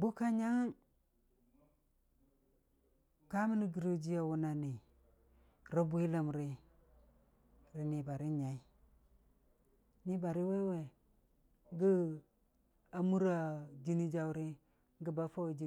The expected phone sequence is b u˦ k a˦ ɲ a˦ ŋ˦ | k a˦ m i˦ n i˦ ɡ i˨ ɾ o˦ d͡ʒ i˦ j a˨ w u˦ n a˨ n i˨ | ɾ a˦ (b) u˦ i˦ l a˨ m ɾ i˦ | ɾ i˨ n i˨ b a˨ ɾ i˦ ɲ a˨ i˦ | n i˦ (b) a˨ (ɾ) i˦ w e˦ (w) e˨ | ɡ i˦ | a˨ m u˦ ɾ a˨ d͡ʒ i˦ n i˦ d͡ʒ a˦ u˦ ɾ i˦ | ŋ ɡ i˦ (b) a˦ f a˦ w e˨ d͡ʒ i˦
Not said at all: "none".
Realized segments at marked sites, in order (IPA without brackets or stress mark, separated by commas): b, b, ɾ, w, b